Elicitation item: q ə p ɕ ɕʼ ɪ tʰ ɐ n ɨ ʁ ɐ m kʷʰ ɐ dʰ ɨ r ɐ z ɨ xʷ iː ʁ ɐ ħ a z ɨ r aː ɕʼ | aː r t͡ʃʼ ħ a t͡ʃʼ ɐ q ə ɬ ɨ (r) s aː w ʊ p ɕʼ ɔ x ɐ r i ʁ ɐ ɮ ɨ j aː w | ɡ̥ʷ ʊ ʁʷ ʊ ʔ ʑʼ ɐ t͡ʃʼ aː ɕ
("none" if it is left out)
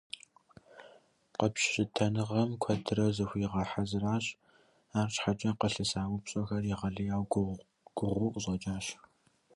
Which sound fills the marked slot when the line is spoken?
none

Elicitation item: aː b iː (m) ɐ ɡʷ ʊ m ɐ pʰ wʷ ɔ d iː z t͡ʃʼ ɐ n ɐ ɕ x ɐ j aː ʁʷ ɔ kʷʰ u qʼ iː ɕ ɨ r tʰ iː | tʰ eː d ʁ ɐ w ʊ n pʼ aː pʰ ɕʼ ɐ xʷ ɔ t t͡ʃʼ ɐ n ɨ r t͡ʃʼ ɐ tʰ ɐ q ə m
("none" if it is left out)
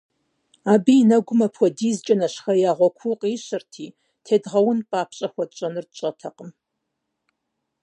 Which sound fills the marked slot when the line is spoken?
n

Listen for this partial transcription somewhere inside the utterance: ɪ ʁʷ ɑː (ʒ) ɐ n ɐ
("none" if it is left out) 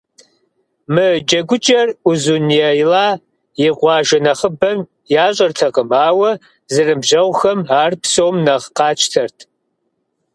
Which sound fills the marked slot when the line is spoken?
ʒ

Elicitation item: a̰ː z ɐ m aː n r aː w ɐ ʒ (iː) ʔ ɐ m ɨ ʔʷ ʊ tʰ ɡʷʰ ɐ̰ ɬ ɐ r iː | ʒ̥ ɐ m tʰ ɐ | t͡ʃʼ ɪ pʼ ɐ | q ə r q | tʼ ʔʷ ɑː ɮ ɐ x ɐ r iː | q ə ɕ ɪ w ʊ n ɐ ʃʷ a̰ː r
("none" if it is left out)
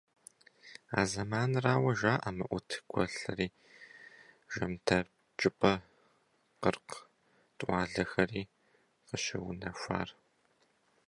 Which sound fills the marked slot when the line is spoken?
aː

